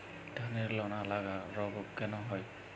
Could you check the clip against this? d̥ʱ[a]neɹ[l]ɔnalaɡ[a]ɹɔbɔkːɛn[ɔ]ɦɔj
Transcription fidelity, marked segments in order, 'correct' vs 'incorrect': correct, correct, correct, correct

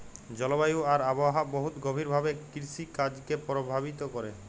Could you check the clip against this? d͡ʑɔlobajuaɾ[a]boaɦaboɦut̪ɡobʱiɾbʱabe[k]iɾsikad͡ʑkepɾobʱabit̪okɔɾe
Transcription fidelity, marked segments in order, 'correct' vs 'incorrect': correct, correct

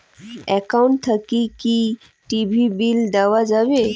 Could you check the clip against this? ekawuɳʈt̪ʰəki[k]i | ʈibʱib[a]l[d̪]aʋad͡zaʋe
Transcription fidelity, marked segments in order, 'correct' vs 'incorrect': correct, incorrect: i, correct

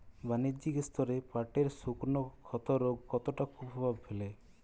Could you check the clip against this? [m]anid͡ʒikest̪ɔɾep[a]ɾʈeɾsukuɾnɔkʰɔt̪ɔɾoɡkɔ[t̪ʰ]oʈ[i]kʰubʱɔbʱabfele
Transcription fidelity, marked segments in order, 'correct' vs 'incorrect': incorrect: b, correct, incorrect: t̪, incorrect: a

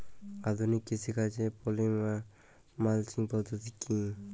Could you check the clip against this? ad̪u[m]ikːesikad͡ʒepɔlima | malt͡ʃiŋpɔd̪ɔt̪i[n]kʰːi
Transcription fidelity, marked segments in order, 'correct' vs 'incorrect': incorrect: n, incorrect: none

